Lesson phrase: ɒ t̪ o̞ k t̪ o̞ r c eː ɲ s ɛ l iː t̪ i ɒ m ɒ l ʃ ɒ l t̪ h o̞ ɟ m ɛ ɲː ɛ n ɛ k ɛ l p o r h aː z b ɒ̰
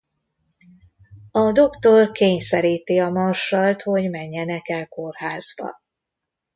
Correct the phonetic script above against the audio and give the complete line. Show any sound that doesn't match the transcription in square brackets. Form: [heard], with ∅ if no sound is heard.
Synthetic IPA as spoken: ɒ [d̪] o̞ k t̪ o̞ r [k] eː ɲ s ɛ [ɾ] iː t̪ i ɒ m ɒ [r] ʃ ɒ l t̪ h o̞ ɟ m ɛ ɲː ɛ n ɛ k ɛ l [k] o r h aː z b ɒ̰